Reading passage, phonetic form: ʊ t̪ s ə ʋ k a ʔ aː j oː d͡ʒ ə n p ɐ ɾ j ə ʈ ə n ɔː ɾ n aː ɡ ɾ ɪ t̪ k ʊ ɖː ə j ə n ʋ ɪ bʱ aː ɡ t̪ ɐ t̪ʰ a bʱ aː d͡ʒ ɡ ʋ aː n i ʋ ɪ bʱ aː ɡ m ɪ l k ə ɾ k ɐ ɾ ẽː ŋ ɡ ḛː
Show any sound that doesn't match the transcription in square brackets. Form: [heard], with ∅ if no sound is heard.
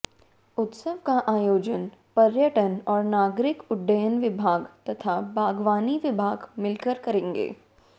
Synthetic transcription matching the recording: ʊ t̪ s ə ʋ k a ʔ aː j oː d͡ʒ ə n p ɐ ɾ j ə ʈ ə n ɔː ɾ n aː ɡ ɾ ɪ [∅] k ʊ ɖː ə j ə n ʋ ɪ bʱ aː ɡ t̪ ɐ t̪ʰ a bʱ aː [∅] ɡ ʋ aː n i ʋ ɪ bʱ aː ɡ m ɪ l k ə ɾ k ɐ ɾ ẽː ŋ ɡ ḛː